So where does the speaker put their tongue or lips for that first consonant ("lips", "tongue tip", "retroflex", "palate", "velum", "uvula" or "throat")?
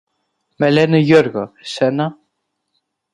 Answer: lips